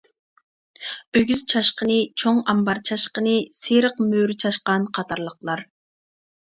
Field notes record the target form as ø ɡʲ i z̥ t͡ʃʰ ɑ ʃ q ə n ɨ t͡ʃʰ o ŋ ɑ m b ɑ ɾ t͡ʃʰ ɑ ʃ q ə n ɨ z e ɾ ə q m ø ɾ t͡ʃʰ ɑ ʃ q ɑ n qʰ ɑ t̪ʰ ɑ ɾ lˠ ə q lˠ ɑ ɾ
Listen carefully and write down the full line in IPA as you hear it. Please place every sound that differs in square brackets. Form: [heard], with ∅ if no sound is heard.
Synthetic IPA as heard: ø ɡʲ [y] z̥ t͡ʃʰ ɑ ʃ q ə n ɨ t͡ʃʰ o ŋ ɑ m b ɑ ɾ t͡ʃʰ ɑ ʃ q ə n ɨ [s] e ɾ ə q m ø ɾ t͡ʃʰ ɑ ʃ q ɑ n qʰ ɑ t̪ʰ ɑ ɾ lˠ ə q lˠ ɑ ɾ